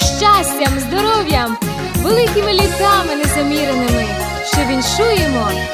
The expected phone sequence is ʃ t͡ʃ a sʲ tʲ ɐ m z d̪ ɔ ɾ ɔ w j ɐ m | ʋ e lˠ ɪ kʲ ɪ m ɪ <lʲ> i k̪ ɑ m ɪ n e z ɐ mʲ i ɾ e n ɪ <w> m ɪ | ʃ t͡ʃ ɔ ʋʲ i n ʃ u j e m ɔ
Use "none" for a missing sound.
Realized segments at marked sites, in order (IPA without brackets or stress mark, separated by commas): lʲ, none